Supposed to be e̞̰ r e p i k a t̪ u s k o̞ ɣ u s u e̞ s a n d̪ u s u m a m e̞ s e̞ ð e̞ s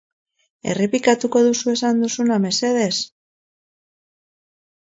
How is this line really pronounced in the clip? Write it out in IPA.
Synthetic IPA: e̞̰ r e p i k a t̪ u k o̞ ð u s u e̞ s a n d̪ u s u n a m e̞ s e̞ ð e̞ s